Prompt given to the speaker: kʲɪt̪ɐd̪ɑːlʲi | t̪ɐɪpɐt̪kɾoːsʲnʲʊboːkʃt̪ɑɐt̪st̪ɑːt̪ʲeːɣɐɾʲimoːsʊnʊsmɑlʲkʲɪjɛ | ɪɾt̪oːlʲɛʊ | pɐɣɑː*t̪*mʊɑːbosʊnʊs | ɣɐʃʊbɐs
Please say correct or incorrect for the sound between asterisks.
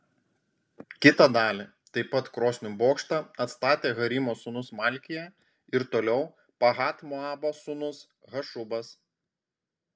correct